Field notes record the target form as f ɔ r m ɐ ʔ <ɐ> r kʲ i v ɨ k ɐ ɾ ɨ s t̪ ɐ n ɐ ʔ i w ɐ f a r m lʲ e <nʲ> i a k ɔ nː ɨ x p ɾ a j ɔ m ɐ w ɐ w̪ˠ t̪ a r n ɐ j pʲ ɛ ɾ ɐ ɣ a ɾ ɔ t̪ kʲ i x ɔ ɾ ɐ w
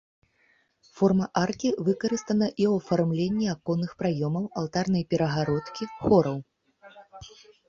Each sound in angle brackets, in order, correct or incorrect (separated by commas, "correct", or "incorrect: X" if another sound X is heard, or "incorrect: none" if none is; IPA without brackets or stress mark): incorrect: a, incorrect: nʲː